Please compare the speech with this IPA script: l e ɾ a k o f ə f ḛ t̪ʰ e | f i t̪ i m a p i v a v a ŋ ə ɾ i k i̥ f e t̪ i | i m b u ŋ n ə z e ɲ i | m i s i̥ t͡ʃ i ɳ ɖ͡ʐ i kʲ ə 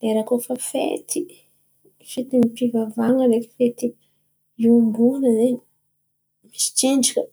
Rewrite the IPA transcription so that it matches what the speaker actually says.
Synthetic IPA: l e ɾ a k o f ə f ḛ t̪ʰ i | f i t̪ i m i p i v a v a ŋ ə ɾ e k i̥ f e t̪ i | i m b u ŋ n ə z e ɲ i | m i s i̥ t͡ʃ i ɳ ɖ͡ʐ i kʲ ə